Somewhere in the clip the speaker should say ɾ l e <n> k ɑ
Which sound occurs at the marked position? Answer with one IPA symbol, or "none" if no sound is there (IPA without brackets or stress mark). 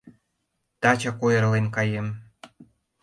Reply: n